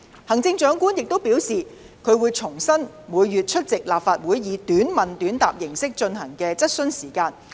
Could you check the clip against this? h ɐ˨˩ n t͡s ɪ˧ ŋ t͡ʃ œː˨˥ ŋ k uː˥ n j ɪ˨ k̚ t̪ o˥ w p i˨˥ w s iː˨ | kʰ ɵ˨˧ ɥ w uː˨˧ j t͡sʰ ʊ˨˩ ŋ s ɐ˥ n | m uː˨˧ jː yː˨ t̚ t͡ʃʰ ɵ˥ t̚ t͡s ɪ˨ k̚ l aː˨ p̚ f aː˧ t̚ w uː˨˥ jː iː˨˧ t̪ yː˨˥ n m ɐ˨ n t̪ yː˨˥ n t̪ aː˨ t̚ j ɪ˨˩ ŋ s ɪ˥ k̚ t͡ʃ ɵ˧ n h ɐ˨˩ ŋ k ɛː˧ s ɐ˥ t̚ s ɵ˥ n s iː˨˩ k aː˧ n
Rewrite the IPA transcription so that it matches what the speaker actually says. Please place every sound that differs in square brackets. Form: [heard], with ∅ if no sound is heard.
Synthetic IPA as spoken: h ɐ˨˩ [ŋ] t͡s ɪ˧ ŋ t͡ʃ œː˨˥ ŋ k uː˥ n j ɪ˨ k̚ t̪ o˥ w p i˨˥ w s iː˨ | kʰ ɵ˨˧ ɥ w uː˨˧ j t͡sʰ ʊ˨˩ ŋ s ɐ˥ n | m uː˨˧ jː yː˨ t̚ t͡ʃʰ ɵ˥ t̚ t͡s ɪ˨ k̚ l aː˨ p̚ f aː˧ t̚ w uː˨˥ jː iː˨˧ t̪ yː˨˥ n m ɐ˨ n t̪ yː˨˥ n t̪ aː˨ [p̚] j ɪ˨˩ ŋ s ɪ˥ k̚ t͡ʃ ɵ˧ n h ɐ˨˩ ŋ k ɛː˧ [t͡s] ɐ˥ t̚ s ɵ˥ n s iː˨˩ k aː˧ n